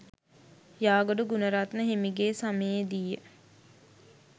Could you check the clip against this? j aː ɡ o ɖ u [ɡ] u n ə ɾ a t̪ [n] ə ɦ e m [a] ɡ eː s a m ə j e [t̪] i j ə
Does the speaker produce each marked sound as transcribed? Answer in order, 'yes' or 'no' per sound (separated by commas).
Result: yes, yes, no, no